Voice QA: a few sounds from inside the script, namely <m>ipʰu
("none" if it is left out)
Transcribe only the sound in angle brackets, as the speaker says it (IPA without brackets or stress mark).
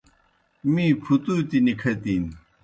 m